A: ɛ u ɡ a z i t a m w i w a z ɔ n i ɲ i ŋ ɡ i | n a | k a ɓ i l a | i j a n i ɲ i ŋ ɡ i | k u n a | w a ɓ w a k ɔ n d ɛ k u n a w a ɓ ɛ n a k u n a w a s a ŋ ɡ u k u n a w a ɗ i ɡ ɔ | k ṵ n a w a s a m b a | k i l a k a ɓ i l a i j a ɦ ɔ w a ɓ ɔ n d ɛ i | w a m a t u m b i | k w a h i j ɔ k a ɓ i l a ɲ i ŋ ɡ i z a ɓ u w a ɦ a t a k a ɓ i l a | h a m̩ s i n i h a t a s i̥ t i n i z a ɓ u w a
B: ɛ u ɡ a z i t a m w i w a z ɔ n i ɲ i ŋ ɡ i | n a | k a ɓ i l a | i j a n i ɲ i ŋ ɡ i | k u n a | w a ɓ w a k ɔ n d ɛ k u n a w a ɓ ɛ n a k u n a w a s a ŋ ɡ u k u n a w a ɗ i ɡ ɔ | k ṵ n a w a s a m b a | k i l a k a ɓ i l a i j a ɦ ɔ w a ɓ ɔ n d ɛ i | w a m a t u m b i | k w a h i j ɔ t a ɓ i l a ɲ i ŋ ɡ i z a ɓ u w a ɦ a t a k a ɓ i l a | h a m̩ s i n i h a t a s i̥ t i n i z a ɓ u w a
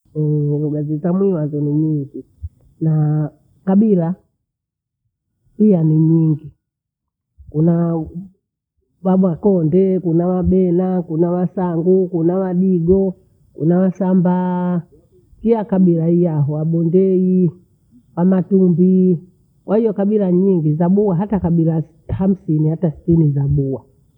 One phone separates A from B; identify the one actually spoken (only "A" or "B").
A